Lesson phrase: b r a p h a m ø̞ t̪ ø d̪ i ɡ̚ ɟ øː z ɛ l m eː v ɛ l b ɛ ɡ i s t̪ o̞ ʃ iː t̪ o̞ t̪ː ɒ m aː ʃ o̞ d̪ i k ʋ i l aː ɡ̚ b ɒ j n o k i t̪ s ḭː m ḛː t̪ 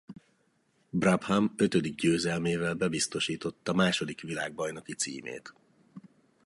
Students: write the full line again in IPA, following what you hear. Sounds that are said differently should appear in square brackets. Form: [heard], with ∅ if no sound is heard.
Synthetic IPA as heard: b r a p h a m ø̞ t̪ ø d̪ i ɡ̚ ɟ øː z ɛ l m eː v ɛ l b ɛ [b] i s t̪ o̞ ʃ iː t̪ o̞ t̪ː ɒ m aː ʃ o̞ d̪ i k ʋ i l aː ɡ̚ b ɒ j n o k i t̪ s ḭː m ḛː t̪